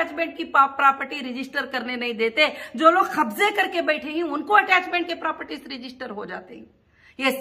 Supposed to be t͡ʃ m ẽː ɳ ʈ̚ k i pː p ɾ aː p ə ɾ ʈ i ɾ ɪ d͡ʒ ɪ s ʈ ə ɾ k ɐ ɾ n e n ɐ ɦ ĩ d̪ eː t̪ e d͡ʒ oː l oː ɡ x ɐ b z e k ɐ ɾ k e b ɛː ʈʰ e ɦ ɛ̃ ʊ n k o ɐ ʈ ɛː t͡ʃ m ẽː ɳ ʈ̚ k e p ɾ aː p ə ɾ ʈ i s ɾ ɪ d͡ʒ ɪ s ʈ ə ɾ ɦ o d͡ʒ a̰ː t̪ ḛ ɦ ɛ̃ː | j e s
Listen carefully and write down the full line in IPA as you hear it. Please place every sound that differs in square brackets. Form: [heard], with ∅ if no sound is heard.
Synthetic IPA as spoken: t͡ʃ m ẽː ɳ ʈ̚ k i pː p ɾ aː p ə ɾ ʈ i ɾ ɪ d͡ʒ ɪ s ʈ ə ɾ k ɐ ɾ n e n ɐ ɦ ĩ d̪ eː t̪ e d͡ʒ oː l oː ɡ x ɐ b z e k ɐ ɾ k e b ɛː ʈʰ e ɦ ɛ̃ ʊ n k o ɐ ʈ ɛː t͡ʃ m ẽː ɳ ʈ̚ k e p ɾ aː p ə ɾ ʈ i s ɾ ɪ d͡ʒ ɪ s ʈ ə ɾ ɦ o d͡ʒ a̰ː t̪ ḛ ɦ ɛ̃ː | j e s